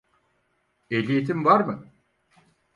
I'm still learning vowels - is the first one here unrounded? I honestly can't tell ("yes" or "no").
yes